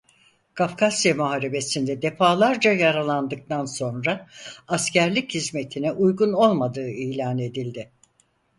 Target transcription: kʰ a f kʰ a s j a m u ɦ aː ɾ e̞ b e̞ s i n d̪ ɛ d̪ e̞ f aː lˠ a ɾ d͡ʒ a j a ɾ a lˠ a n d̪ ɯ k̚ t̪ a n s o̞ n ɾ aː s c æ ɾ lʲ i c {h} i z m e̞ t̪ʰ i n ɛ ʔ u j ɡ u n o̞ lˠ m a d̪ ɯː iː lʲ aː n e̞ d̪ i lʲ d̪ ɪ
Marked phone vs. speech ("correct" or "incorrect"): correct